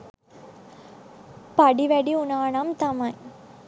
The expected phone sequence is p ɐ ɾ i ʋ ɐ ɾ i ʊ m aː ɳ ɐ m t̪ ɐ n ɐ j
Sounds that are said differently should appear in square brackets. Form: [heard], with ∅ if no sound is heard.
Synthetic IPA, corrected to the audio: p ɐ [ɽ] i ʋ ɐ [ɽ] i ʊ [n] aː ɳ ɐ m t̪ ɐ [m] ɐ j